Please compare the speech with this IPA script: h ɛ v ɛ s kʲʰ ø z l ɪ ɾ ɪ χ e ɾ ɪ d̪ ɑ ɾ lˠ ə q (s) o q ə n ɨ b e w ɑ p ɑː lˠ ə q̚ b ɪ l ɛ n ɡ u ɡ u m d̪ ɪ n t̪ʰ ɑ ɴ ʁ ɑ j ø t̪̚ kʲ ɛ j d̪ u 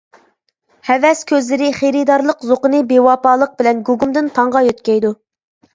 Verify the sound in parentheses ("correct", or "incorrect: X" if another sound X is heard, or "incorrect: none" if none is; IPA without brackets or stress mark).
incorrect: z